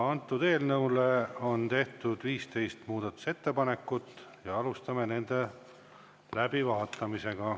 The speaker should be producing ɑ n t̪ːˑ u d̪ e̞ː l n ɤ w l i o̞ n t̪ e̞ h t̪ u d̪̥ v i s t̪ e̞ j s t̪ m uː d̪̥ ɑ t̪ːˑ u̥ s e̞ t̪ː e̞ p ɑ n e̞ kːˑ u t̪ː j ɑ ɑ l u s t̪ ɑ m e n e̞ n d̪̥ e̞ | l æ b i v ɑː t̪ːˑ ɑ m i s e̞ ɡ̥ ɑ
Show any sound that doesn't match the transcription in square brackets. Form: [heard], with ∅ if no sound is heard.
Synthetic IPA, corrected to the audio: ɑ n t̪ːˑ u d̪ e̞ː l n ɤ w l [e] o̞ n t̪ e̞ h t̪ u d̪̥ v [iː] s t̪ e̞ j s t̪ m uː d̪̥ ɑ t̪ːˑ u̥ s e̞ t̪ː e̞ p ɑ n e̞ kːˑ u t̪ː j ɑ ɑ l u s t̪ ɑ m e n e̞ n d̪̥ e̞ | l æ b i v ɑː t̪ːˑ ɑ m i s e̞ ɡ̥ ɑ